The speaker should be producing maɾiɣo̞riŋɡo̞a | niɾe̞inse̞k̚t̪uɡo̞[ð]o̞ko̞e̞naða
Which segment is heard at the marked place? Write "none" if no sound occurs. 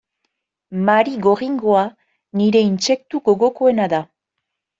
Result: ɣ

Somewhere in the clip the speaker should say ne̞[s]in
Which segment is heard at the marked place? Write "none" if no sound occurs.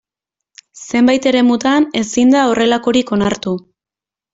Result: s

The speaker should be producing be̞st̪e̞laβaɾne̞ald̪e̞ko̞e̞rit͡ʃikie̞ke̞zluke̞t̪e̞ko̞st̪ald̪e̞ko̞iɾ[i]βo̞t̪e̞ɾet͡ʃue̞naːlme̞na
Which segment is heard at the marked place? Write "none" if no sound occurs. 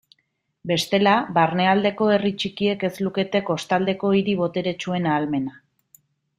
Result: i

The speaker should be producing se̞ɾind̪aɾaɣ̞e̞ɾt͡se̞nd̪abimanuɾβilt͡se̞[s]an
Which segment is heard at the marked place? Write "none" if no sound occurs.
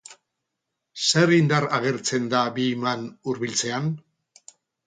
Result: none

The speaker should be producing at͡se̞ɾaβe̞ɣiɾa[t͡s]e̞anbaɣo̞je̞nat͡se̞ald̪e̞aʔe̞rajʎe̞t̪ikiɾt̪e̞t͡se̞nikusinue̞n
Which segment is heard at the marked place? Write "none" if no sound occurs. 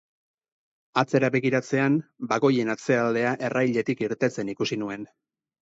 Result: t͡s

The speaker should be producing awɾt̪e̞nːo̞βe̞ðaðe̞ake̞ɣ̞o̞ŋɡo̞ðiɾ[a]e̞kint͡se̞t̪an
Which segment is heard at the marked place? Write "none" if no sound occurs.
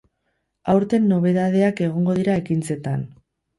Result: a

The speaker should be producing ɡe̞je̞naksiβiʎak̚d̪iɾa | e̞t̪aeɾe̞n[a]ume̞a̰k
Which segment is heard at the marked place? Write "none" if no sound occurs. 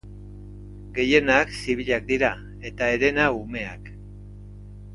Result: a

